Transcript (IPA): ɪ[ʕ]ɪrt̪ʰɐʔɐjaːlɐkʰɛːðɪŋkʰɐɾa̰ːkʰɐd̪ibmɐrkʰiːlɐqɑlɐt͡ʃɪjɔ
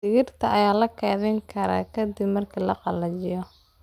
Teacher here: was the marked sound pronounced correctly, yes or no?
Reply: no